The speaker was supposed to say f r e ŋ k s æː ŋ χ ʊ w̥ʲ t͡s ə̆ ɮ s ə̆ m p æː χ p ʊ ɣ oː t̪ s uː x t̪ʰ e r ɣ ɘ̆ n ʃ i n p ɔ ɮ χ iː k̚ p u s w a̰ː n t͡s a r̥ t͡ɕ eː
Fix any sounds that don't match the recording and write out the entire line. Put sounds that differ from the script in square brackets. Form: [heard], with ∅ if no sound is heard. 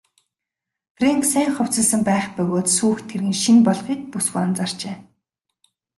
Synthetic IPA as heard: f r e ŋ k s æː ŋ χ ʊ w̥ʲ t͡s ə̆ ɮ s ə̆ m p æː χ p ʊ ɣ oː t̪ s uː x t̪ʰ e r ɣ ɘ̆ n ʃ i n p ɔ ɮ χ iː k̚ p u s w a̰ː n t͡s a r̥ t͡ɕ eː

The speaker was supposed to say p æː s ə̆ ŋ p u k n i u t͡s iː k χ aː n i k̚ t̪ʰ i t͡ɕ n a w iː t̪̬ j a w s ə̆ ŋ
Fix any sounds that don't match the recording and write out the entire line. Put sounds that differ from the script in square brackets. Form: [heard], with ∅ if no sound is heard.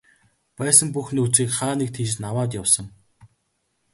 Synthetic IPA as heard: p æː s ə̆ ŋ p u [x] n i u t͡s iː k χ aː n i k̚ t̪ʰ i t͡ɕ n a w [aː] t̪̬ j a w s ə̆ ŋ

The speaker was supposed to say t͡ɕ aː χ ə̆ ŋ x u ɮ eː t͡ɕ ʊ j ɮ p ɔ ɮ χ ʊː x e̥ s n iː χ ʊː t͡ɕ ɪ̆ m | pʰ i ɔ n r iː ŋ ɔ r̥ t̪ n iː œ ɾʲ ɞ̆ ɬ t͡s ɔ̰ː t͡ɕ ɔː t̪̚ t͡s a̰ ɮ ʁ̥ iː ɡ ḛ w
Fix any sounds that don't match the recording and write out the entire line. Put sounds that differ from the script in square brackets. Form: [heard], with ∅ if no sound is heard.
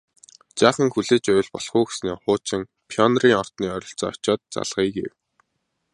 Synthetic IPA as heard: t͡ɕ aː χ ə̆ ŋ x u ɮ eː t͡ɕ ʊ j ɮ p ɔ ɮ χ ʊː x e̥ s n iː χ ʊː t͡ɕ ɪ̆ [ŋ] | pʰ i ɔ n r iː ŋ ɔ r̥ t̪ n iː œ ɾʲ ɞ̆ ɬ t͡s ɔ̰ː t͡ɕ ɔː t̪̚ t͡s a̰ ɮ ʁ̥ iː ɡ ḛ w

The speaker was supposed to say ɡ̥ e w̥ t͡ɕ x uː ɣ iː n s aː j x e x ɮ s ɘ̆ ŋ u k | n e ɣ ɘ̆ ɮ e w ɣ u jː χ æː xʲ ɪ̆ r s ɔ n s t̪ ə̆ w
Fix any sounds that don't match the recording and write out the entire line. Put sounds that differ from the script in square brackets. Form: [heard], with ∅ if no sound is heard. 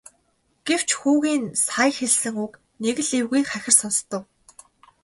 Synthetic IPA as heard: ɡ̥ e w̥ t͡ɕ x uː ɣ iː n s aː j x e [∅] ɮ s ɘ̆ ŋ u k | n e ɣ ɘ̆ ɮ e w ɣ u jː χ [æ] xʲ ɪ̆ r s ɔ n s t̪ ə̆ w

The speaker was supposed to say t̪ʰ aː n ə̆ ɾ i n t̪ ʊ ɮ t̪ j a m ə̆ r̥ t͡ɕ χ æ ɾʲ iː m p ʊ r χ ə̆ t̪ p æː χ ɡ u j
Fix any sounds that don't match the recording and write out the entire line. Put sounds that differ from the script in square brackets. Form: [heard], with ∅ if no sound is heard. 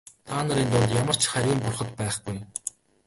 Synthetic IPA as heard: t̪ʰ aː n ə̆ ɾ i n t̪ ʊ ɮ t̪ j a m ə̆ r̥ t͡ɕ χ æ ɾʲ iː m p ʊ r χ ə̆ t̪ p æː χ ɡ u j

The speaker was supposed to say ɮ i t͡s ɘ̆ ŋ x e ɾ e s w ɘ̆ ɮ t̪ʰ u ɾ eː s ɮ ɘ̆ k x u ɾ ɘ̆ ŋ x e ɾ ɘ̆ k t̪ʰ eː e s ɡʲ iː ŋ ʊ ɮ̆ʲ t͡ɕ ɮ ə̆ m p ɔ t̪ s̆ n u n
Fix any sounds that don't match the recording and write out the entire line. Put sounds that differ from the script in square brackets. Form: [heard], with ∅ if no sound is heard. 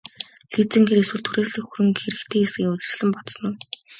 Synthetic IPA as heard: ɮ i t͡s ɘ̆ ŋ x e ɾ e s w ɘ̆ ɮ t̪ʰ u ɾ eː s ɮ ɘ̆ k x u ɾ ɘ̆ ŋ x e ɾ ɘ̆ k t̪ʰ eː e s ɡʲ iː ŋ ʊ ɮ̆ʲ t͡ɕ ɮ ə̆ m p ɔ t̪ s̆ n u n

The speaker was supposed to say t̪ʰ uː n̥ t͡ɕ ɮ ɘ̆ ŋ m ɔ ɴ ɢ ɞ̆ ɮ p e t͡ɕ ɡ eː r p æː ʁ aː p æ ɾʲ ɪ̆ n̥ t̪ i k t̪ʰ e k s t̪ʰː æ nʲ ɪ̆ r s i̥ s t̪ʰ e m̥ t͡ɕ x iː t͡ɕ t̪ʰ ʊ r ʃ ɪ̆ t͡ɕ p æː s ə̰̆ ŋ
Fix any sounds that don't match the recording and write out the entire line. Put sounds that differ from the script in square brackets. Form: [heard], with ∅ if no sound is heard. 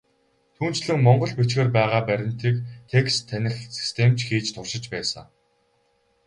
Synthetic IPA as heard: t̪ʰ uː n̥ t͡ɕ ɮ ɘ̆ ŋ m ɔ ɴ ɢ ɞ̆ ɮ p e t͡ɕ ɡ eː r p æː ʁ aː p æ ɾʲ ɪ̆ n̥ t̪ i k t̪ʰ e k s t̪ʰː æ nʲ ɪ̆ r s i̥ s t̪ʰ e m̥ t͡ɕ x iː t͡ɕ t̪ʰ ʊ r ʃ ɪ̆ t͡ɕ p æː s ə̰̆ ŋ

